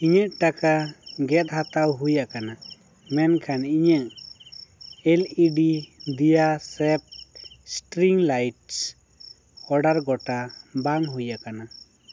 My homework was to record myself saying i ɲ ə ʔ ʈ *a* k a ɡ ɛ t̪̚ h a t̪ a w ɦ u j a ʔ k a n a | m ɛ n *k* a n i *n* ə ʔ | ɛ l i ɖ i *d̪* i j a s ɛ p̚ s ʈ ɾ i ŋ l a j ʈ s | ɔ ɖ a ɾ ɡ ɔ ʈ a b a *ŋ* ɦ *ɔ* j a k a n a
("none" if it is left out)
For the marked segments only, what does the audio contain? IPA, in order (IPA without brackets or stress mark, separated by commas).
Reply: a, kʰ, ɲ, d̪, ŋ, u